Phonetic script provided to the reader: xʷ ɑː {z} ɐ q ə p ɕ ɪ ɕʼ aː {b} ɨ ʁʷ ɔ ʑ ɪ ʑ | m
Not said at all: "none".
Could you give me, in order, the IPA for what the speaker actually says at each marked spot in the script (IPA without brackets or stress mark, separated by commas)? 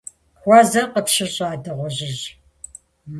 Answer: z, d